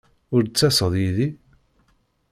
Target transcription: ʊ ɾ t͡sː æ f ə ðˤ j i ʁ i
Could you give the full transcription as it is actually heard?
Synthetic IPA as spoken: ʊ ɾ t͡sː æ s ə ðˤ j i ð i